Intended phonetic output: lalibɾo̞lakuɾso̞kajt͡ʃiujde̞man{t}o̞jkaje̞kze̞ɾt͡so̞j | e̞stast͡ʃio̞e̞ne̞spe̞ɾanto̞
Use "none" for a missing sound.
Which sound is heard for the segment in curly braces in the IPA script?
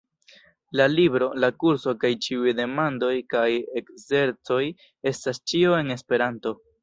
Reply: d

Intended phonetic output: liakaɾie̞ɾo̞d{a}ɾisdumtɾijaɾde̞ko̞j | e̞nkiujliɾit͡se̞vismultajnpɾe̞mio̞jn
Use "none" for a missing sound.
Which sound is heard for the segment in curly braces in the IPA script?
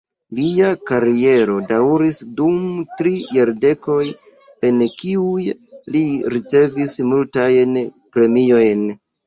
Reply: a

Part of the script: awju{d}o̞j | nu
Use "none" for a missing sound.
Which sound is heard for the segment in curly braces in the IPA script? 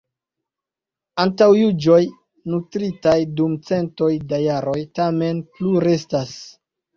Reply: d͡ʒ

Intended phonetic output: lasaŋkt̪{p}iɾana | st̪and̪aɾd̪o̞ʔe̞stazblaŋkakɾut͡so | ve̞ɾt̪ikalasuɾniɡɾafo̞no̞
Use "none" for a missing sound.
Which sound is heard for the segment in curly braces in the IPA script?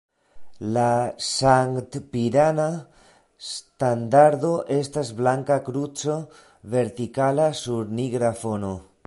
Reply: p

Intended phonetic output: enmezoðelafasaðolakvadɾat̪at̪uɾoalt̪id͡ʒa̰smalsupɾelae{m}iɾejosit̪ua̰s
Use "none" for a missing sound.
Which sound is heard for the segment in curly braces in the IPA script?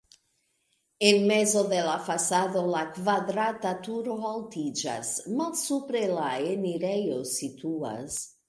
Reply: n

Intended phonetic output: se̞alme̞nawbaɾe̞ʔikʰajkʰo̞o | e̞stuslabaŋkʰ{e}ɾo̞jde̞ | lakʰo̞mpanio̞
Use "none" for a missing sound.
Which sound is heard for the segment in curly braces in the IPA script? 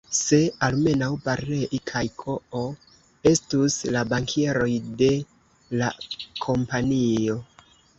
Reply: e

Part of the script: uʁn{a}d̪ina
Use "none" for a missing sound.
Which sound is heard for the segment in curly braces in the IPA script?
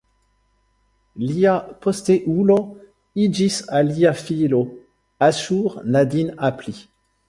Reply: a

